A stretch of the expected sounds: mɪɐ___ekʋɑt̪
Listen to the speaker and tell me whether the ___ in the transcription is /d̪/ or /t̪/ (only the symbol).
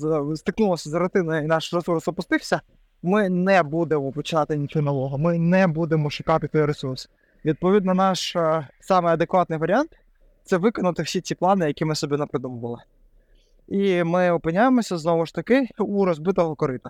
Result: d̪